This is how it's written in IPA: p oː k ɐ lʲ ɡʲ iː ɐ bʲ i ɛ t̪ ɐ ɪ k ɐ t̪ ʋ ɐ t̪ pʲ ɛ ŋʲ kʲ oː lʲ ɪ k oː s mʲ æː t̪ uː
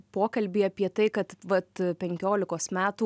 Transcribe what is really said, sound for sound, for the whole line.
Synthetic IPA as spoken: p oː k ɐ lʲ bʲ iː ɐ pʲ i ɛ t̪ ɐ ɪ k ɐ t̪ ʋ ɐ t̪ pʲ ɛ ŋʲ kʲ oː lʲ ɪ k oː s mʲ æː t̪ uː

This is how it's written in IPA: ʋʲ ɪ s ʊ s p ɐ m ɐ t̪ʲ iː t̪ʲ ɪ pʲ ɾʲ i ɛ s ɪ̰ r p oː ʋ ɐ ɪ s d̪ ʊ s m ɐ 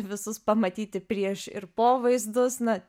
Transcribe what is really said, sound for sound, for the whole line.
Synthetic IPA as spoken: ʋʲ ɪ s ʊ s p ɐ m ɐ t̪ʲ iː t̪ʲ ɪ pʲ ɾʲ i ɛ ʃ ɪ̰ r p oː ʋ ɐ ɪ z d̪ ʊ s n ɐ

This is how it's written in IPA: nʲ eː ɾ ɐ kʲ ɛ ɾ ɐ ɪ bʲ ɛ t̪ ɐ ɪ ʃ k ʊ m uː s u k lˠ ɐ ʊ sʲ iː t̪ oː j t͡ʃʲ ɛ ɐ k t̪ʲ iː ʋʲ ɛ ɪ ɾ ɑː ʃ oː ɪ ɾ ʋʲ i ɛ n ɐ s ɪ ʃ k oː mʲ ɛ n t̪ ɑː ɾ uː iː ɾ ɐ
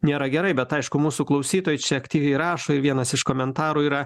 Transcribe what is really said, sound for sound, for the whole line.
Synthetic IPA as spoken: nʲ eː ɾ ɐ ɡʲ ɛ ɾ ɐ ɪ bʲ ɛ t̪ ɐ ɪ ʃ k ʊ m uː s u k lˠ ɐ ʊ sʲ iː t̪ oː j t͡ʃʲ ɛ ɐ k t̪ʲ iː ʋʲ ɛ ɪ ɾ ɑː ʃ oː ɪ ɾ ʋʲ i ɛ n ɐ s ɪ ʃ k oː mʲ ɛ n t̪ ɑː ɾ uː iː ɾ ɐ

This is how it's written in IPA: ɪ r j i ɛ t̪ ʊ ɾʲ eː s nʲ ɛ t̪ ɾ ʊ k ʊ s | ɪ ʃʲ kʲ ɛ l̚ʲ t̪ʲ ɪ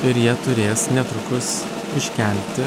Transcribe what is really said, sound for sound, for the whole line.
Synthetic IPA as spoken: ɪ ɾ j i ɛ t̪ ʊ ɾʲ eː s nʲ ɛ t̪ ɾ ʊ k ʊ s | ɪ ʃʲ kʲ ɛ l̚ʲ t̪ʲ ɪ

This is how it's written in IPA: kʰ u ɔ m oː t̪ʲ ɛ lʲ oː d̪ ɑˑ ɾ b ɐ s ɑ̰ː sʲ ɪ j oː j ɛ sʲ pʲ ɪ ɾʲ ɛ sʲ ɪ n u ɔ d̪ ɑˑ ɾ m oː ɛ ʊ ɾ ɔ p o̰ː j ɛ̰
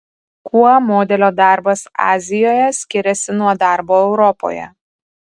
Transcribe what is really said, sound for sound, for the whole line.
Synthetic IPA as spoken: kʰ u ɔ m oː d̪ʲ ɛ lʲ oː d̪ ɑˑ ɾ b ɐ s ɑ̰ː zʲ ɪ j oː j ɛ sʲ kʲ ɪ ɾʲ ɛ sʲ ɪ n u ɔ d̪ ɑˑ ɾ b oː ɛ ʊ ɾ ɔ p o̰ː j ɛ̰

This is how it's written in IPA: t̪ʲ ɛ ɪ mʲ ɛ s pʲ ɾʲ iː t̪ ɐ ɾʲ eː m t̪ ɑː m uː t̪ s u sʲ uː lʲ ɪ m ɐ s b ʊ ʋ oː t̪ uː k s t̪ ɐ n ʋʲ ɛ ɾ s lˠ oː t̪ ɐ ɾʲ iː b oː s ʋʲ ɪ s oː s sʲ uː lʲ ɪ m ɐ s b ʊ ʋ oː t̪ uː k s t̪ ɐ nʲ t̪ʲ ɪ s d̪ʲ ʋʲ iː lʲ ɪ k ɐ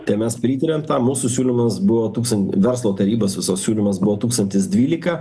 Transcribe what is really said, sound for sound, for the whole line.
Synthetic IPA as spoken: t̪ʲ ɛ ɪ mʲ ɛ s pʲ ɾʲ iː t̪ ɐ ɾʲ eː m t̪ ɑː m uː s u sʲ uː lʲ ɪ m ɐ s b ʊ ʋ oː t̪ uː k s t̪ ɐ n ʋʲ ɛ ɾ s lˠ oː t̪ ɐ ɾʲ iː b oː s ʋʲ ɪ s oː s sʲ uː lʲ ɪ m ɐ s b ʊ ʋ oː t̪ uː k s t̪ ɐ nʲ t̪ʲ ɪ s d̪ʲ ʋʲ iː lʲ ɪ k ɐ

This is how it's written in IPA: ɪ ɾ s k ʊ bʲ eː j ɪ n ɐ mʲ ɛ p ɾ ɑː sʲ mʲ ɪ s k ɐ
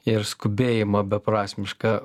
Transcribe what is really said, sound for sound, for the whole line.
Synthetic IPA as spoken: ɪ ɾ s k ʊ bʲ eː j ɪ m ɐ bʲ ɛ p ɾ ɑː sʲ mʲ ɪ ʃ k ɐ

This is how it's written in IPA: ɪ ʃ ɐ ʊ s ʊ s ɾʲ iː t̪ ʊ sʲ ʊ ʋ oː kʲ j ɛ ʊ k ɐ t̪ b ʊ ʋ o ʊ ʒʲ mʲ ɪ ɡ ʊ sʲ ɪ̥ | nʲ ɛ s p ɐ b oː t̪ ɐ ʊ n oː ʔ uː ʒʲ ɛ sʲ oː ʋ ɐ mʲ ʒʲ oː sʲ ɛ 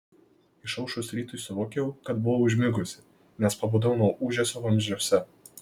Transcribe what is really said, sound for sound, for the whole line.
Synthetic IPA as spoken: ɪ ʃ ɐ ʊ ʃ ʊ s ɾʲ iː t̪ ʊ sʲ ʊ ʋ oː kʲ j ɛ ʊ k ɐ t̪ b ʊ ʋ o ʊ ʒʲ mʲ ɪ ɡ ʊ sʲ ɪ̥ | nʲ ɛ s p ɐ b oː d̪ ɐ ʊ n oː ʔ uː ʒʲ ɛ sʲ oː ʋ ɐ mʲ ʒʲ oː sʲ ɛ

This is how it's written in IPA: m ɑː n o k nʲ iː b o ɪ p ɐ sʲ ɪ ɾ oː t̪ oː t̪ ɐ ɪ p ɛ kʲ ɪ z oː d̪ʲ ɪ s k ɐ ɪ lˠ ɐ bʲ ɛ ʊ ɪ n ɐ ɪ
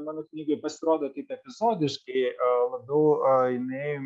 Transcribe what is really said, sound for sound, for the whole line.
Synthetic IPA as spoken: m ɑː n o k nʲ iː ɡ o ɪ p ɐ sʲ ɪ ɾ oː d̪ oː t̪ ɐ ɪ p ɛ pʲ ɪ z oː d̪ʲ ɪ ʃ k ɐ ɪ lˠ ɐ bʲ ɛ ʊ ɪ n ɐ ɪ

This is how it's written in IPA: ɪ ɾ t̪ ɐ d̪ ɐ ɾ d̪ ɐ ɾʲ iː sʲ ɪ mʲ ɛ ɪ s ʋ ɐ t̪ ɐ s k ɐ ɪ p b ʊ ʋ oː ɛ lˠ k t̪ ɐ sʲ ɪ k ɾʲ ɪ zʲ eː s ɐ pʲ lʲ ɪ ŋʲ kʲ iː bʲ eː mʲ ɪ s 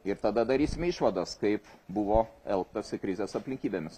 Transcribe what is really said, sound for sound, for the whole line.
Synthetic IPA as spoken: ɪ ɾ t̪ ɐ d̪ ɐ d̪ ɐ ɾʲ iː sʲ ɪ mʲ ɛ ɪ ʃ ʋ ɐ d̪ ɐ s k ɐ ɪ p b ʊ ʋ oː ɛ lˠ k t̪ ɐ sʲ ɪ k ɾʲ ɪ zʲ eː s ɐ pʲ lʲ ɪ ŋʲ kʲ iː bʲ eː mʲ ɪ s

